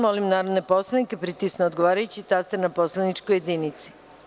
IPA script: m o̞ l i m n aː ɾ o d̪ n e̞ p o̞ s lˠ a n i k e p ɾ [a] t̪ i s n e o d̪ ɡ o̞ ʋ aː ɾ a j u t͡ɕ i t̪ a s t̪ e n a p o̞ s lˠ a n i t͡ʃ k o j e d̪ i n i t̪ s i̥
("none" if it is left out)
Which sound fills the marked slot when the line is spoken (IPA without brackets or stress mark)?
i